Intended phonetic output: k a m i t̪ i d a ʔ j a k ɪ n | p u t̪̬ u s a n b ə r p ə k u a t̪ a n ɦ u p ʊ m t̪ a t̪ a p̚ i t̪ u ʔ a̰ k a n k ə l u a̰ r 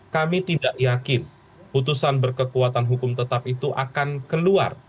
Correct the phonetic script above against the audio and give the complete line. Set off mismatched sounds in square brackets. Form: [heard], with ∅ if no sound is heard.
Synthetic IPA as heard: k a m i t̪ i d a ʔ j a k ɪ n | p u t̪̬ u s a n b ə r [k] ə k u a t̪ a n ɦ u [k] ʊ m t̪ [ə] t̪ a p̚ i t̪ u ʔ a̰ k a n k ə l u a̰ r